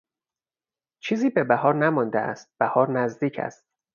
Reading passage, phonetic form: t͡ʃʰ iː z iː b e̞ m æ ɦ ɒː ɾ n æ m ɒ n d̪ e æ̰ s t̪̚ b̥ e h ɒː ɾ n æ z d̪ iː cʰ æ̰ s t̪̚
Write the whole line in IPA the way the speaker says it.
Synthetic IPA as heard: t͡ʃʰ iː z iː b e̞ b æ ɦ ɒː ɾ n æ m ɒ n d̪ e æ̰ s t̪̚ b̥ æ h ɒː ɾ n æ z d̪ iː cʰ æ̰ s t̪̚